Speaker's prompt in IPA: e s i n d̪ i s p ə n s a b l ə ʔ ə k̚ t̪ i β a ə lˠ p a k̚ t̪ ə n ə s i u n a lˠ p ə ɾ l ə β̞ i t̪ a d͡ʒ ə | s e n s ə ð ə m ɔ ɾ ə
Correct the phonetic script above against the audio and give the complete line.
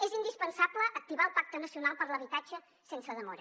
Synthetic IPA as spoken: e z i n d̪ i s p ə n s a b l ə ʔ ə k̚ t̪ i β a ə lˠ p a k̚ t̪ ə n ə s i u n a lˠ p ə ɾ l ə β̞ i t̪ a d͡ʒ ə | s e n s ə ð ə m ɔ ɾ ə